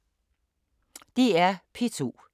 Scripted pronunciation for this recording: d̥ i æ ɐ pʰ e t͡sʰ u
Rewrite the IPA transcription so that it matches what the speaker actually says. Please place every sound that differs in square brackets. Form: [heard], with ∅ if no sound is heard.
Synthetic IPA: d̥ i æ ɐ pʰ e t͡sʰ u